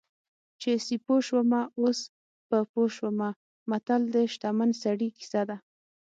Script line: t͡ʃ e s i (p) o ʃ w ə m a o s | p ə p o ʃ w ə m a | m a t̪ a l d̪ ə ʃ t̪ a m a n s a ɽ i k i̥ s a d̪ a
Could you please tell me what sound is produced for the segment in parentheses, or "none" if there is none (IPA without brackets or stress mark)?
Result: p